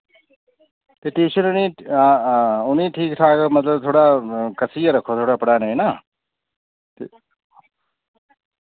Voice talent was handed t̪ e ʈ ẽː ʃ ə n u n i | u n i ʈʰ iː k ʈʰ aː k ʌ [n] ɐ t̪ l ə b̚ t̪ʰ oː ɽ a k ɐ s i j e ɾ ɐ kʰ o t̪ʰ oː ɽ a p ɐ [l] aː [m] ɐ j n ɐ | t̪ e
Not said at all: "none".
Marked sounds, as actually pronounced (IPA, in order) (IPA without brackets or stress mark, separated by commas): m, ɽ, n